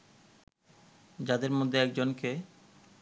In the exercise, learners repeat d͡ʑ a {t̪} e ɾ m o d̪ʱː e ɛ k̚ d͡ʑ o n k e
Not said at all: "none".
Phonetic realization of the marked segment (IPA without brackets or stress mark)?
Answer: d̪